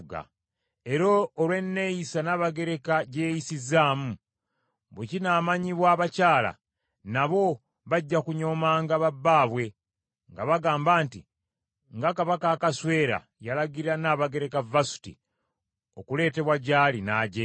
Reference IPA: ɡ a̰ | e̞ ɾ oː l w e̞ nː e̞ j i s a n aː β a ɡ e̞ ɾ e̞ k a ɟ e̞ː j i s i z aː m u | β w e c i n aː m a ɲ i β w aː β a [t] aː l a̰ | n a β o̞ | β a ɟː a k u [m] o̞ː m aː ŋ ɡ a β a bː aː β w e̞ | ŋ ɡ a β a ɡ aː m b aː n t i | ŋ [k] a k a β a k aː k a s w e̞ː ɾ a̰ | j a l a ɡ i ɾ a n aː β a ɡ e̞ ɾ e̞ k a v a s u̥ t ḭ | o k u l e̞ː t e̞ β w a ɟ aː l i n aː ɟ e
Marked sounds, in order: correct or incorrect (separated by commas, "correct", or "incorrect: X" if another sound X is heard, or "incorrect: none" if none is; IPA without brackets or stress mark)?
incorrect: c, incorrect: ɲ, incorrect: ɡ